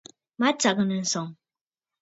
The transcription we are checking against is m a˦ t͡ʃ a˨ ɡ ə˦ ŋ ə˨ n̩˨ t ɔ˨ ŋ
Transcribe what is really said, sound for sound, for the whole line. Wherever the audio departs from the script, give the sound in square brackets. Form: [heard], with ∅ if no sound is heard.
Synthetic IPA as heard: m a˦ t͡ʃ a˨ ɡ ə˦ [n] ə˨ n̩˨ [s] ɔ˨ ŋ